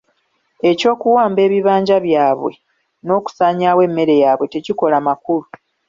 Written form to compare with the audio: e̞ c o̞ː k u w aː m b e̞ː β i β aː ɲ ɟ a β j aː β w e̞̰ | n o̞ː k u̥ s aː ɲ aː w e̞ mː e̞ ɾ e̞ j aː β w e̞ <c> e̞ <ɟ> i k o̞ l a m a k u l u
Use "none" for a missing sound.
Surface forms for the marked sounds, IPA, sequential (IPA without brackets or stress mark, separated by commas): t, c